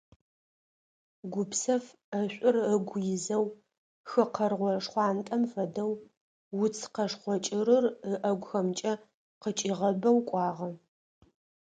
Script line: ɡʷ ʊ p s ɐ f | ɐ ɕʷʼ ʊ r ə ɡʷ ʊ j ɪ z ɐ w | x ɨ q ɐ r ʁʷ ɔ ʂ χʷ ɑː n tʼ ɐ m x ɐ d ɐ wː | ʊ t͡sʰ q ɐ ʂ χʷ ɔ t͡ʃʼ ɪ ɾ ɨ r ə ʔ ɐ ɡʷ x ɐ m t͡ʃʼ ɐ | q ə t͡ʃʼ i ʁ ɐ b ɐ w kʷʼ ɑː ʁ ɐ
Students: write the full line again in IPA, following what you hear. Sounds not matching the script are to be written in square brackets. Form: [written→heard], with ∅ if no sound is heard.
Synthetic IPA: ɡʷ ʊ p s ɐ f | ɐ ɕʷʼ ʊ r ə ɡʷ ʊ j ɪ z ɐ w | x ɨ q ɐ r ʁʷ ɔ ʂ χʷ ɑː n tʼ ɐ m [x→f] ɐ d ɐ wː | ʊ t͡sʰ q ɐ ʂ χʷ ɔ t͡ʃʼ ɪ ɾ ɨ r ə ʔ ɐ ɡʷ x ɐ m t͡ʃʼ ɐ | q ə t͡ʃʼ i ʁ ɐ b ɐ w kʷʼ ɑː ʁ ɐ